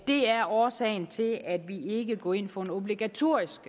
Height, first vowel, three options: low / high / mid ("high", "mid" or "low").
mid